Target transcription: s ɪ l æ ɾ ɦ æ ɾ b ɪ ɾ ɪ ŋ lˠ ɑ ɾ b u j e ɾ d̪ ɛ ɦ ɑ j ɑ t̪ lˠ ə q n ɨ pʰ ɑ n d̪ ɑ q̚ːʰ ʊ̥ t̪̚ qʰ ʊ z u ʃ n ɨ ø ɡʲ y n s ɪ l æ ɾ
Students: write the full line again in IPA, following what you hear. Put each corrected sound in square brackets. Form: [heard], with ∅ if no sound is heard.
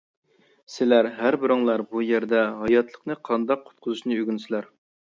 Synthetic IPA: s ɪ l æ ɾ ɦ æ ɾ b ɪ ɾ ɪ ŋ lˠ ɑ ɾ b u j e ɾ d̪ ɛ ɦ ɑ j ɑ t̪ lˠ ə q n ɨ [qʰ] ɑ n d̪ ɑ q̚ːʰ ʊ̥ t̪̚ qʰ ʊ z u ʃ n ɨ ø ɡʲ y n s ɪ l æ ɾ